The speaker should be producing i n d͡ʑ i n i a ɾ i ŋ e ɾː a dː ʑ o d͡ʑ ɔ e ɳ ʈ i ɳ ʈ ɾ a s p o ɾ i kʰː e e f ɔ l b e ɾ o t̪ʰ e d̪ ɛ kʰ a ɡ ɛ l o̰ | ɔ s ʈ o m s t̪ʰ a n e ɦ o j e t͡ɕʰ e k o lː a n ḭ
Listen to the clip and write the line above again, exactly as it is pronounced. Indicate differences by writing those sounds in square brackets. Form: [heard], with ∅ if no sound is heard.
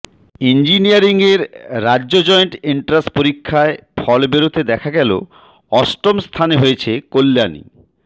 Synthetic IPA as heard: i n d͡ʑ i n i a ɾ i ŋ e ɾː a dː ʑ o d͡ʑ ɔ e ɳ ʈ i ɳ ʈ ɾ a s p o ɾ i kʰː [a] e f ɔ l b e ɾ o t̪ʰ e d̪ ɛ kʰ a ɡ ɛ l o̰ | ɔ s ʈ o m s t̪ʰ a n e ɦ o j e t͡ɕʰ e k o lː a n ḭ